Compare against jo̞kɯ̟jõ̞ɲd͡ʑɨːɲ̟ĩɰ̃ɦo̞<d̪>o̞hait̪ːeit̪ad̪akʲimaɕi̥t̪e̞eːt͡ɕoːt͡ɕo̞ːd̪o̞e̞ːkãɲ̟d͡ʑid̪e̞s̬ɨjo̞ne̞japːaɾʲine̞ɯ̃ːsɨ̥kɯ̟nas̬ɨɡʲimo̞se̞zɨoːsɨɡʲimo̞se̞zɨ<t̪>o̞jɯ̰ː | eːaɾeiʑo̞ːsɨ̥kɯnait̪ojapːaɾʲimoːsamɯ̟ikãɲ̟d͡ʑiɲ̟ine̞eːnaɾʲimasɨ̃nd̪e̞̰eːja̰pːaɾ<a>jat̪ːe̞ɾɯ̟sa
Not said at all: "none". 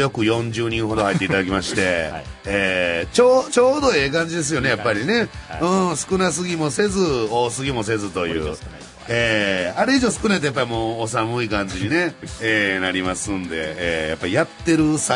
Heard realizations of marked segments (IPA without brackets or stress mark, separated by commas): d̪, t̪, i